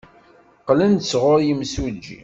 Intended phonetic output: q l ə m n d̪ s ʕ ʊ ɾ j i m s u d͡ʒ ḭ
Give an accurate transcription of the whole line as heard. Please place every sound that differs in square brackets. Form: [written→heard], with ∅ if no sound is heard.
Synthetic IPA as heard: q l ə [m→∅] n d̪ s [ʕ→ʁ] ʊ ɾ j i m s u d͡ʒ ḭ